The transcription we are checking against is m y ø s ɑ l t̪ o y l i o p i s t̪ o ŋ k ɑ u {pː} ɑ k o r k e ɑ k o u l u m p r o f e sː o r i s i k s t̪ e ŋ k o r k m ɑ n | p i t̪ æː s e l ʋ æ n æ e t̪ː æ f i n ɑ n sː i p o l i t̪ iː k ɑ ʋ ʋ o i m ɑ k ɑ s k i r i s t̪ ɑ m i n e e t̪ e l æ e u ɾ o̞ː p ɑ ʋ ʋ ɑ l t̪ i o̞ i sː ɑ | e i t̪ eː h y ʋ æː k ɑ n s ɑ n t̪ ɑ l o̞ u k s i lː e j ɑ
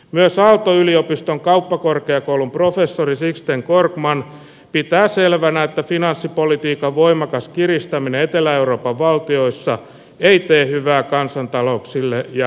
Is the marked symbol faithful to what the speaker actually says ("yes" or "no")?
yes